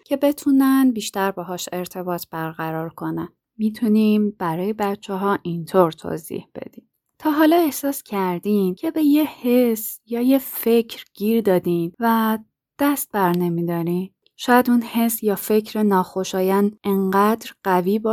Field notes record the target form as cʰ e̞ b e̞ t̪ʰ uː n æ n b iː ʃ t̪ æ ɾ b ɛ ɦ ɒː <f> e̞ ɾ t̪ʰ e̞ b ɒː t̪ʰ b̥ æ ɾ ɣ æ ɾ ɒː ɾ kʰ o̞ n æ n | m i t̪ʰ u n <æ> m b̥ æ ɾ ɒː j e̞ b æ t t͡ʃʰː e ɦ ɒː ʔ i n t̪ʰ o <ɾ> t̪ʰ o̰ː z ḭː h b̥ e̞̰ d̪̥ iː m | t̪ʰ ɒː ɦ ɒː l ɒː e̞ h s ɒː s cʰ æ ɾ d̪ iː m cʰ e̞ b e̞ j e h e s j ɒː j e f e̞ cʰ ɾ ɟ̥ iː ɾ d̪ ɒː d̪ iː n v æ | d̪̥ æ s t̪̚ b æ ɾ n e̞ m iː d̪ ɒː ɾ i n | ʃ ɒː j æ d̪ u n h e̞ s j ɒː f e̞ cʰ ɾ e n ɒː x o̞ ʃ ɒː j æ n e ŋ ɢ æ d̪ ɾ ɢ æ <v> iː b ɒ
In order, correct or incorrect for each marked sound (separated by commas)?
incorrect, incorrect, correct, correct